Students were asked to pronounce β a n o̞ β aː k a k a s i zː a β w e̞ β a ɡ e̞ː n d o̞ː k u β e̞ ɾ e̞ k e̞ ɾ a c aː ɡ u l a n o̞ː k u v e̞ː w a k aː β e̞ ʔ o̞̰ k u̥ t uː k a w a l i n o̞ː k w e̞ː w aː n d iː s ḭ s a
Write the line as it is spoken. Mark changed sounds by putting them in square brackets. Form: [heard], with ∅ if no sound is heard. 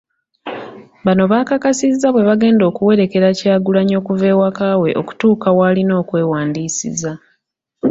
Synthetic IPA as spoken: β a n o̞ β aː k a k a s i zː a β w e̞ β a ɡ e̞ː n d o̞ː k u [w] e̞ ɾ e̞ k e̞ ɾ a c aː ɡ u l a [ɲ] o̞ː k u v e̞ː w a k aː [w] e̞ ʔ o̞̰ k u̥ t uː k a w a l i n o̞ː k w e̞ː w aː n d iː s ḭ [z] a